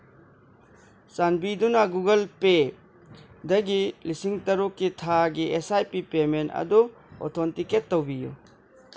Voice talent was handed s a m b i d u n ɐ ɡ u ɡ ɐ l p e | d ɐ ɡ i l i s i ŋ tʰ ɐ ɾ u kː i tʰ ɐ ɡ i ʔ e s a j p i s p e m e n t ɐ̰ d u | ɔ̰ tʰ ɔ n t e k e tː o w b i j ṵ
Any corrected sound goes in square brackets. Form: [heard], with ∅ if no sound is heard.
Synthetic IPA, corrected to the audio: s a [n] b i d u n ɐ ɡ u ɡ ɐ l p e | d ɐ ɡ i l i s i ŋ [t] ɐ ɾ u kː i tʰ [a] ɡ i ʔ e s a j p i [∅] p e m e n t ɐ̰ d u | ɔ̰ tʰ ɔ n t [i] k e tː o w b i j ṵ